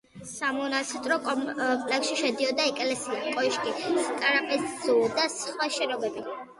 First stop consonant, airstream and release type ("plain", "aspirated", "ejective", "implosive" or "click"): ejective